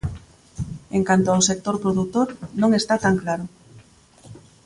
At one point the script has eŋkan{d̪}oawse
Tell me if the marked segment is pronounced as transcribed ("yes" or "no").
no